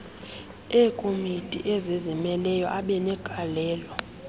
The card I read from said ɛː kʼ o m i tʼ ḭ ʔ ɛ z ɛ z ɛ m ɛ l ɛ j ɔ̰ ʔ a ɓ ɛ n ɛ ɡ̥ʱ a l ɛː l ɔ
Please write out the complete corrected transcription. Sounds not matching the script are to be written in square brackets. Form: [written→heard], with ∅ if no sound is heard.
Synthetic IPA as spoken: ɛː kʼ o m i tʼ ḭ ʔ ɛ z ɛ z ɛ m ɛ l ɛ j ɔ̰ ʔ a ɓ ɛ n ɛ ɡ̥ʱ a l ɛː l ɔ